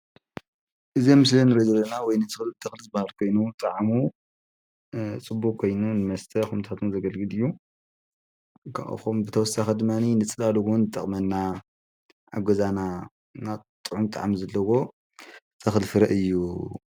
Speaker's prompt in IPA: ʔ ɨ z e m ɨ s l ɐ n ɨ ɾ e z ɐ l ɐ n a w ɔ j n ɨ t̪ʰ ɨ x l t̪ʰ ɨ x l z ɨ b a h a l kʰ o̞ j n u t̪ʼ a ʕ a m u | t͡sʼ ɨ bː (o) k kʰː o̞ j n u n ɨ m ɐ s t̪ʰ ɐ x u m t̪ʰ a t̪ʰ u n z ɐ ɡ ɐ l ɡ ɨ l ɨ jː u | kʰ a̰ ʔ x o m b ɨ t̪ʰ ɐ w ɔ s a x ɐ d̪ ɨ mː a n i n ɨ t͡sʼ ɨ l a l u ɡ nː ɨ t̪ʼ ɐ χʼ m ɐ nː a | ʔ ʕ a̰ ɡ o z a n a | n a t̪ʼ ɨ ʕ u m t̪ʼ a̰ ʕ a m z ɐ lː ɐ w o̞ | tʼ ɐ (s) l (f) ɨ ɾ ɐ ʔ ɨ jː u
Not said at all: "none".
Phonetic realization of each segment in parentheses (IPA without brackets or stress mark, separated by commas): u, x, f